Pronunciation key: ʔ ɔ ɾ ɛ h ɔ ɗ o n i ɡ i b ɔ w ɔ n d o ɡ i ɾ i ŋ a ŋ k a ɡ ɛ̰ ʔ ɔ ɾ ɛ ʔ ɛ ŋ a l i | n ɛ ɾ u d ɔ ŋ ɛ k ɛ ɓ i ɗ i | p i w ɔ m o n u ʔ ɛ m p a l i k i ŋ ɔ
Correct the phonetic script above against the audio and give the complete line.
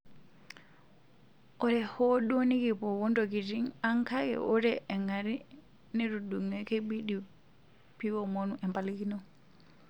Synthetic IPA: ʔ ɔ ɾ ɛ h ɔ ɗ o n i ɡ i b ɔ w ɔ n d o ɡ i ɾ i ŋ a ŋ k a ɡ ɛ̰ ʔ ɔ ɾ ɛ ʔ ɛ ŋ a ɾ i | n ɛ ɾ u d u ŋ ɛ k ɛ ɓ i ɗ i | p i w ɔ m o n u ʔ ɛ m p a l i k i n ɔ